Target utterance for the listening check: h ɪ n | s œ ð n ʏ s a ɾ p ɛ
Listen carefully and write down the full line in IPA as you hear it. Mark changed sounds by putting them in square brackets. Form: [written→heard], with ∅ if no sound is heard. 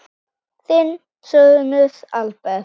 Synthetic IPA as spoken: [h→θ] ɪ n | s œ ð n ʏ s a [ɾ→l] p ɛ